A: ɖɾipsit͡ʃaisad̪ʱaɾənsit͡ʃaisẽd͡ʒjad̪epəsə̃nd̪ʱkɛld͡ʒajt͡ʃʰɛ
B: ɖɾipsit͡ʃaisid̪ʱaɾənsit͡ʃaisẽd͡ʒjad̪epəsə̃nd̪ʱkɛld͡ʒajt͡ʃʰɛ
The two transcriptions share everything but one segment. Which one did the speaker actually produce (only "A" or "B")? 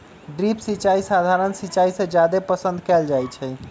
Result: A